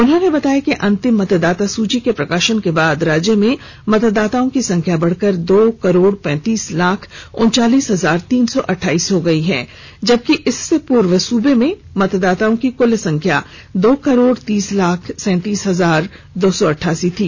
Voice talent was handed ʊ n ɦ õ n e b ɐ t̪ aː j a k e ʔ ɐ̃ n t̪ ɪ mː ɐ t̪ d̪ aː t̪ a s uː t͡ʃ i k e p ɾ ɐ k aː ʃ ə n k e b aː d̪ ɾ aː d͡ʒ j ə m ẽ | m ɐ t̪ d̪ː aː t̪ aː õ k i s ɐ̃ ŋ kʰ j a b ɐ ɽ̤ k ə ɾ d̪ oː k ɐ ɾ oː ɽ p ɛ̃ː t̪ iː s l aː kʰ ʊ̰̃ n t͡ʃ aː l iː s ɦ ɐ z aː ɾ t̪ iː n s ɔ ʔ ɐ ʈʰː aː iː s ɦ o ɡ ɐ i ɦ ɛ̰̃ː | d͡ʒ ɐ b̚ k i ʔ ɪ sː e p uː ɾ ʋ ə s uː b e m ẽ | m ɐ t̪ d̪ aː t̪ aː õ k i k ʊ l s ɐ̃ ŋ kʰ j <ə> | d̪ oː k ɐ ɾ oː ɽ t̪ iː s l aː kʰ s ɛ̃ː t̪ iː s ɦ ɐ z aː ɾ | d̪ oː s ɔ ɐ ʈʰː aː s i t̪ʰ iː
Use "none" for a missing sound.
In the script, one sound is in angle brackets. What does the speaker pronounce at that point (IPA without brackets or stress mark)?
a